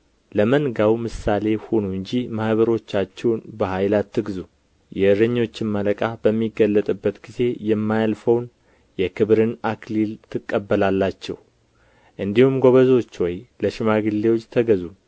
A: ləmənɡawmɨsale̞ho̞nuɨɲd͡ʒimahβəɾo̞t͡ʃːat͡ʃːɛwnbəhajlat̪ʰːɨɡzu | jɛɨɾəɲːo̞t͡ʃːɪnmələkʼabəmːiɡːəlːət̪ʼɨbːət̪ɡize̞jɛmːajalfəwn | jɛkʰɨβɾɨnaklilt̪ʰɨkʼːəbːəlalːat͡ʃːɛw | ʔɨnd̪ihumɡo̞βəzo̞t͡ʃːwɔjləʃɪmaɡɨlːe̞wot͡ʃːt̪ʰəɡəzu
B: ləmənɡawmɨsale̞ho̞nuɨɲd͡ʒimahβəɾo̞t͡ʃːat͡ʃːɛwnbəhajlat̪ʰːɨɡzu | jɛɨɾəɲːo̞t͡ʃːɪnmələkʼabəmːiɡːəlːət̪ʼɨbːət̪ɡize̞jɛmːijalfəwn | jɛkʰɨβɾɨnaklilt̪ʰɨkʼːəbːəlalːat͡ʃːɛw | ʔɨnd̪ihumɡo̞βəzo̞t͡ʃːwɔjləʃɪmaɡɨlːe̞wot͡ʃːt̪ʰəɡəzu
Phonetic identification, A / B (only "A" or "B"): A